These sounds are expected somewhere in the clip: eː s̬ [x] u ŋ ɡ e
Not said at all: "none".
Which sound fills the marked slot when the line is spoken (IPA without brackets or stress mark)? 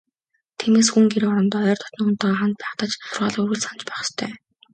x